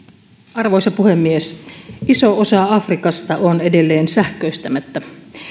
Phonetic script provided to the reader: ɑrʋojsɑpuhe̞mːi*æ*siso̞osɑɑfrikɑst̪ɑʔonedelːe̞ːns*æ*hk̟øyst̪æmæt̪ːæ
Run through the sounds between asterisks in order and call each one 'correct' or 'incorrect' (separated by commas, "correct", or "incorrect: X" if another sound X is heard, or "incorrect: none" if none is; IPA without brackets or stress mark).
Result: incorrect: e, correct